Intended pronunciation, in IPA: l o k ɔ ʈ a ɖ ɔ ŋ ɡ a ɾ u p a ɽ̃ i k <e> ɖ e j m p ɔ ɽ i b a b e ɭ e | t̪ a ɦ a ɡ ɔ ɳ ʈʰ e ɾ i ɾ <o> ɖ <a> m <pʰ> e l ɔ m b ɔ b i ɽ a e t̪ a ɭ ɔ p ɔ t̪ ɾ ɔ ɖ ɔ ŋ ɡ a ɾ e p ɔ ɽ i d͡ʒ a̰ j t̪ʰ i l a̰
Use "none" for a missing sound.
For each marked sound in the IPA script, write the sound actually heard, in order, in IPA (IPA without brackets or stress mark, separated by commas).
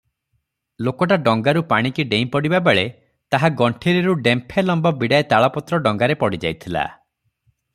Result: i, u, e, pʰ